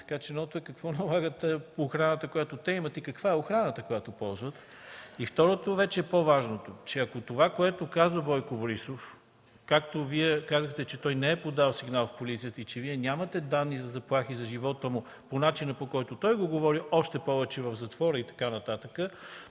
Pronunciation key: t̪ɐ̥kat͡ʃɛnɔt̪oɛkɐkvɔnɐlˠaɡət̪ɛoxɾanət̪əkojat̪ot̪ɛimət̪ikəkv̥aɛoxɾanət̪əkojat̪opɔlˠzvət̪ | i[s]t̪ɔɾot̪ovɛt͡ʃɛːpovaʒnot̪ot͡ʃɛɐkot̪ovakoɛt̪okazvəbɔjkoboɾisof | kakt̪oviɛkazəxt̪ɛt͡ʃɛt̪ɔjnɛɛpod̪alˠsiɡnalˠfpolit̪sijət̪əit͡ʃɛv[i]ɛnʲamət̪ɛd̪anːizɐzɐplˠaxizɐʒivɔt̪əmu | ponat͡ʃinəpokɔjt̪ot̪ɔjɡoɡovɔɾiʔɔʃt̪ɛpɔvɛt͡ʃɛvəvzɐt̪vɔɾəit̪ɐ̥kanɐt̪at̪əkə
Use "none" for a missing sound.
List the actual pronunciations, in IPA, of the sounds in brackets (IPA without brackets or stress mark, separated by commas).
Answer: f, i